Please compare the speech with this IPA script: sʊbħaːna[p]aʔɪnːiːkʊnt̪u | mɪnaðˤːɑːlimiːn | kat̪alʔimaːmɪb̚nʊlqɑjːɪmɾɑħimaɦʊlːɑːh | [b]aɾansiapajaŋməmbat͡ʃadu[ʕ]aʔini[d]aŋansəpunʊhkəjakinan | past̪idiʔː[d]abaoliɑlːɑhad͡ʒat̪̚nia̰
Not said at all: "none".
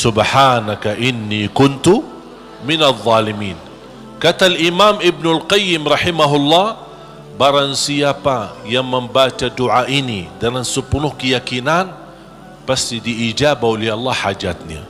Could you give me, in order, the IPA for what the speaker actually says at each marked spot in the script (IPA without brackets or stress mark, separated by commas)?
k, b, ʕ, d, d͡ʒ